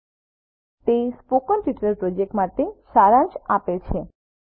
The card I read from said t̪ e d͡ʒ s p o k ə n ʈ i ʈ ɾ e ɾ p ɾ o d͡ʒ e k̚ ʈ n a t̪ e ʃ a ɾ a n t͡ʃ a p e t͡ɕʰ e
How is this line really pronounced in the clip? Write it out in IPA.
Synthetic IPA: t̪ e s p o k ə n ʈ i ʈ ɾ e ɾ p ɾ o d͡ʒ e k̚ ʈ m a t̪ e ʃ a ɾ a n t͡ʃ a p e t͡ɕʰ e